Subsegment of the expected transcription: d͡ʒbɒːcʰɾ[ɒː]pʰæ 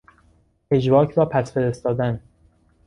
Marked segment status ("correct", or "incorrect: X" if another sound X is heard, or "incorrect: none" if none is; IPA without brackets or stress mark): correct